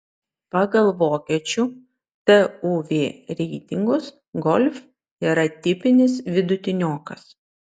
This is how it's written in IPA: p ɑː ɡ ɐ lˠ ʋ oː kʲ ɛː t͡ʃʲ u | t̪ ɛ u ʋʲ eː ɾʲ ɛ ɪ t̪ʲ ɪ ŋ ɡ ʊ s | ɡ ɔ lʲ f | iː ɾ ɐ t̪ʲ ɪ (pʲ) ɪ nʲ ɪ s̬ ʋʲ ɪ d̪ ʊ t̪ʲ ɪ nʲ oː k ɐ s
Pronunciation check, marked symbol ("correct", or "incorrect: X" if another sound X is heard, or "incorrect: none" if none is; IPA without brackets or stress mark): correct